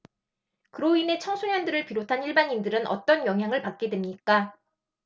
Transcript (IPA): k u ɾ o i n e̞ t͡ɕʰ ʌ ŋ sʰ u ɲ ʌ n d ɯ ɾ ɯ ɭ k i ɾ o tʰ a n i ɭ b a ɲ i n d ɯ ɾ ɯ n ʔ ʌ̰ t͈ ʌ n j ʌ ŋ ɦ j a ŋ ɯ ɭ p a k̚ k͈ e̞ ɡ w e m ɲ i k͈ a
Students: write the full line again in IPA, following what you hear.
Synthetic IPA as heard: k ɯ ɾ o i n e̞ t͡ɕʰ ʌ ŋ sʰ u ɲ ʌ n d ɯ ɾ ɯ ɭ p i ɾ o tʰ a n i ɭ b a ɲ i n d ɯ ɾ ɯ n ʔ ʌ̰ t͈ ʌ n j ʌ ŋ ɦ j a ŋ ɯ ɭ p a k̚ k͈ e̞ d w e m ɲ i k͈ a